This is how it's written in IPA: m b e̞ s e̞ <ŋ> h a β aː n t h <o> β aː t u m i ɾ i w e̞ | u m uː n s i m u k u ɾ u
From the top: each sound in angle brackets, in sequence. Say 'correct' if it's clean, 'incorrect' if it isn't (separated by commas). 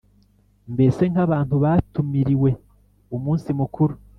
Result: correct, incorrect